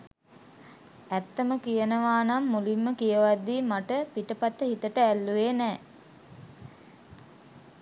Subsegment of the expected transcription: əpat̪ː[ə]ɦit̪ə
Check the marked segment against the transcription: correct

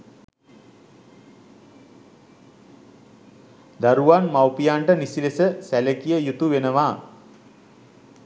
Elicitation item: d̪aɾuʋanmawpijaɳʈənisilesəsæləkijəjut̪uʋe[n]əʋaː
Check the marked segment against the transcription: correct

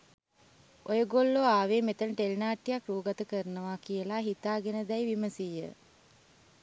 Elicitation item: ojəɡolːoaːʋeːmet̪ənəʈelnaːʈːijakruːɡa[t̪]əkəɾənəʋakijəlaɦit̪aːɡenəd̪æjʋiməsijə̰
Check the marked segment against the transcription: correct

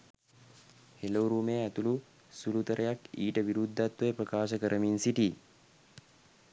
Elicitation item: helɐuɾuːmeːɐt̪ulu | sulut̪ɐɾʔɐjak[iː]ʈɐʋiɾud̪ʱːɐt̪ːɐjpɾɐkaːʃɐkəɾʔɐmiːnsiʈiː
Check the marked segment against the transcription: correct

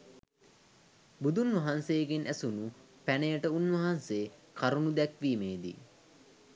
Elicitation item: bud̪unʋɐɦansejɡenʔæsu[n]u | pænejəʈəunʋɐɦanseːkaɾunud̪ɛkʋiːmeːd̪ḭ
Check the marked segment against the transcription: correct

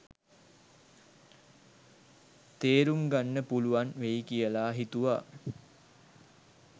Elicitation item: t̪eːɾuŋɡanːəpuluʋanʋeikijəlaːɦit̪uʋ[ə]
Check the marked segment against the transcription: incorrect: a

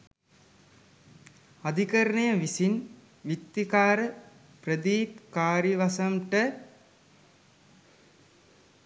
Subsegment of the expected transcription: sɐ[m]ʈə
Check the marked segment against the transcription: correct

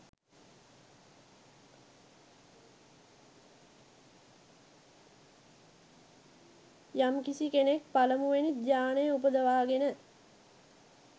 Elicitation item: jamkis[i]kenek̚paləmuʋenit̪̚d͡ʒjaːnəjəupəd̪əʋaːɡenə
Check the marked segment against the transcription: correct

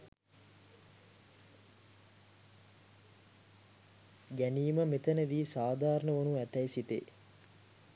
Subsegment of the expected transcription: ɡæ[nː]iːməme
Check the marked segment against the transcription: incorrect: n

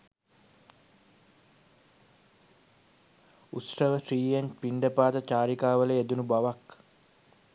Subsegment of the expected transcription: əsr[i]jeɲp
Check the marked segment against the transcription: incorrect: iː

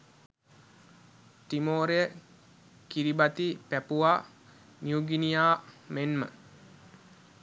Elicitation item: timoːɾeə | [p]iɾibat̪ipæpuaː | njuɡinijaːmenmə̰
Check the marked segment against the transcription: incorrect: k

